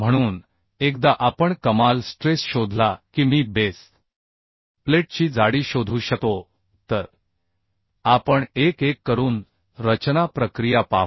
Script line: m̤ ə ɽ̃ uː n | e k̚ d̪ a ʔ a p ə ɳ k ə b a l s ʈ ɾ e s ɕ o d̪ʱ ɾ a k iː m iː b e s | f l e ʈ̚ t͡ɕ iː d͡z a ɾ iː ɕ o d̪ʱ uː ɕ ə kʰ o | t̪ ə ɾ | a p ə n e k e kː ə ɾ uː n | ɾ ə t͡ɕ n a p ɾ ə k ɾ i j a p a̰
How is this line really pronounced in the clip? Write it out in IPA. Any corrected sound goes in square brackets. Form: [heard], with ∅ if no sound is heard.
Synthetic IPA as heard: m̤ ə ɽ̃ uː n | e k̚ d̪ a ʔ a p ə ɳ k ə [m] a l s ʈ ɾ e s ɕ o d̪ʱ [l] a k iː m iː b e s | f l e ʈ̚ t͡ɕ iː d͡z a [ɽ] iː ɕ o d̪ʱ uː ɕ ə [k] o | t̪ ə ɾ | a p ə [ɳ] e k e kː ə ɾ uː n | ɾ ə t͡ɕ n a p ɾ ə k ɾ i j a p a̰